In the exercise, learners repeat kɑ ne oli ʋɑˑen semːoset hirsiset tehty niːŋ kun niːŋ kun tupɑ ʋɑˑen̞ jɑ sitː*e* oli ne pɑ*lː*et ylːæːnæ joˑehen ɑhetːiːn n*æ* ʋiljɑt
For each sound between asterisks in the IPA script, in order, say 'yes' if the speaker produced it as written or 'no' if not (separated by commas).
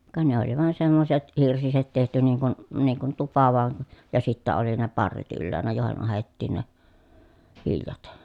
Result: no, no, no